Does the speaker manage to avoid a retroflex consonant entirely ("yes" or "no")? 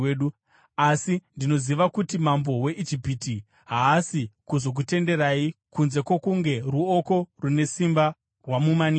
yes